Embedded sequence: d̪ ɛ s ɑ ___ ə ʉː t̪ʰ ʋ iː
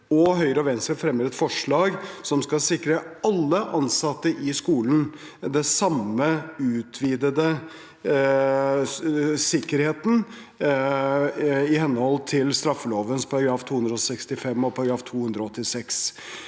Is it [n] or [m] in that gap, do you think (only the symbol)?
m